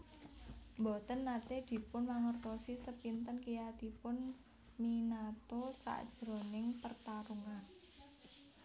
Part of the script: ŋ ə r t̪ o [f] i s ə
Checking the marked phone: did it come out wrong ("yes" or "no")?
yes